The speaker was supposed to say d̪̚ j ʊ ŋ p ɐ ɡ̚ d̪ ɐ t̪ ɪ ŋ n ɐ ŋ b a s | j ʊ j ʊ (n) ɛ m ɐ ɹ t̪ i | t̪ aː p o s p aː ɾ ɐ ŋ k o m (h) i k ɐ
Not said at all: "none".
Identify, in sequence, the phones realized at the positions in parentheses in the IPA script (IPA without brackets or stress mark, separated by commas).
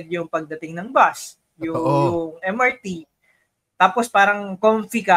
ŋ, f